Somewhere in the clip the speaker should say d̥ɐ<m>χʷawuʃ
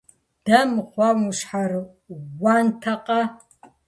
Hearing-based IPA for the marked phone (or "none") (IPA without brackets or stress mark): m